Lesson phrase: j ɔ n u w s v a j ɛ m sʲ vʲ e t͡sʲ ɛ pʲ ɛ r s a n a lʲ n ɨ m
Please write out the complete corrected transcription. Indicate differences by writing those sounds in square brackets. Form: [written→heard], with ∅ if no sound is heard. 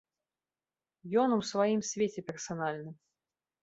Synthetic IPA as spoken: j ɔ n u w s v a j [ɛ→i] m sʲ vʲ e t͡sʲ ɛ pʲ ɛ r s a n a lʲ n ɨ m